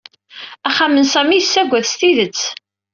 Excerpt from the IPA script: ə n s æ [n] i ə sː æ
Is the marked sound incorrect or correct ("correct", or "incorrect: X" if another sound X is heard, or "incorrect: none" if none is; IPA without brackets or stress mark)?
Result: incorrect: m